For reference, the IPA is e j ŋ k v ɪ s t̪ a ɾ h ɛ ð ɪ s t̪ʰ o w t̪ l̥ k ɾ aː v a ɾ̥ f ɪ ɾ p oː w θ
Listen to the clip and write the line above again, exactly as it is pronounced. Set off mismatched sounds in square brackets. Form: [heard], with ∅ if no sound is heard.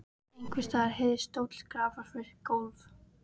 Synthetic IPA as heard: e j ŋ k v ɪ s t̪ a ɾ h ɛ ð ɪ s [t̪] o w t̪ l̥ k ɾ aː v a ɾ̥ f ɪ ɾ [k] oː w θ